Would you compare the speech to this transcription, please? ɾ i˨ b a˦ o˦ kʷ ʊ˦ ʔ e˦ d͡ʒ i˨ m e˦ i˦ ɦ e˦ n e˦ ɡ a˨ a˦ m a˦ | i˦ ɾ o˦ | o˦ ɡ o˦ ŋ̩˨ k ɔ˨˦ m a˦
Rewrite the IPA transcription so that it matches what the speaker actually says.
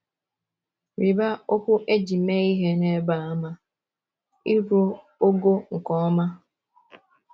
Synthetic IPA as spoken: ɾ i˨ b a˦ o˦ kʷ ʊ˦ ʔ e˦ d͡ʒ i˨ m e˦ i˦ ɦ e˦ n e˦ b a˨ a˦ m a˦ | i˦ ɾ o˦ | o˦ ɡ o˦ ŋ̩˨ k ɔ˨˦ m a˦